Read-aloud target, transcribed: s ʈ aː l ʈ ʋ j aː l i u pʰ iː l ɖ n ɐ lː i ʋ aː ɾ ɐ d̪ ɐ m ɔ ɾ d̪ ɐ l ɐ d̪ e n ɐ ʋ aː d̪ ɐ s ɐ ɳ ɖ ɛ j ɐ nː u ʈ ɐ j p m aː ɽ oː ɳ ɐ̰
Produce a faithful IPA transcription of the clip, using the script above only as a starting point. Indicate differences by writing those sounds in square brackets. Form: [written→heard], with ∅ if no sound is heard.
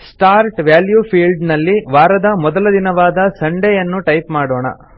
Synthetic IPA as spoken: s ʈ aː [l→ɾ] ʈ ʋ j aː l [i→j] u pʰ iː l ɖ n ɐ lː i ʋ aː ɾ ɐ d̪ ɐ m ɔ [ɾ→∅] d̪ ɐ l ɐ d̪ [e→i] n ɐ ʋ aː d̪ ɐ s ɐ ɳ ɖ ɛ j ɐ nː u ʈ ɐ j p m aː ɽ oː ɳ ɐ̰